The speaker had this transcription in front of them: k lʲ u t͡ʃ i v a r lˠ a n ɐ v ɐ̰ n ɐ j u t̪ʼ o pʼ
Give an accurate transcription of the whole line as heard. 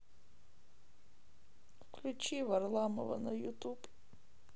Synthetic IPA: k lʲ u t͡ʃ i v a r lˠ a m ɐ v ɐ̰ n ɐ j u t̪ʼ u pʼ